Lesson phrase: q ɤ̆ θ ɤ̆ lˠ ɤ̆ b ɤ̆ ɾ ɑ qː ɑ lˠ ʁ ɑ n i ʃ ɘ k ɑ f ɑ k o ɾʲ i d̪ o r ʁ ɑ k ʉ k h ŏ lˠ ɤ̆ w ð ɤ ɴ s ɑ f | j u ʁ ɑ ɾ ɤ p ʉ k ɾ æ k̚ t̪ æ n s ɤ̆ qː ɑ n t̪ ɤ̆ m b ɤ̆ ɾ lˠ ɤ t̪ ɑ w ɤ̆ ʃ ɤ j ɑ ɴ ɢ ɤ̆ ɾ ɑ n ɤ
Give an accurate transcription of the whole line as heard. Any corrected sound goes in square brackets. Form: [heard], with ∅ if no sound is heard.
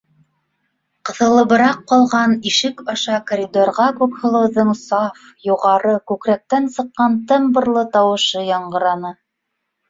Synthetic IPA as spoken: q ɤ̆ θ ɤ̆ lˠ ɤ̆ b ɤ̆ ɾ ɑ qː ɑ lˠ ʁ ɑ n i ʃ ɘ k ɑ [ʃ] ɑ k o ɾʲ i d̪ o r ʁ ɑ k ʉ k h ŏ lˠ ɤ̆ w ð ɤ ɴ s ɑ f | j u ʁ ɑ ɾ ɤ [k] ʉ k ɾ æ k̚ t̪ æ n s ɤ̆ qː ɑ n t̪ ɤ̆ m b ɤ̆ ɾ lˠ ɤ t̪ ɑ w ɤ̆ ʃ ɤ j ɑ ɴ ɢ ɤ̆ ɾ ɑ n ɤ